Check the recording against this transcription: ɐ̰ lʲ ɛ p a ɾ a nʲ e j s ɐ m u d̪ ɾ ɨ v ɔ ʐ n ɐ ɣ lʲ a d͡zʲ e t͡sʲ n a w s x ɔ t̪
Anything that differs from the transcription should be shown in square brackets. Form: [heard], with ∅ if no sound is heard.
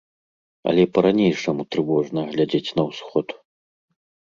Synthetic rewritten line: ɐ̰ lʲ ɛ p [ɐ] ɾ a nʲ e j [ʂ] ɐ m u [t̪] ɾ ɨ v ɔ ʐ n ɐ ɣ lʲ a d͡zʲ e t͡sʲ n [ɐ] w s x ɔ t̪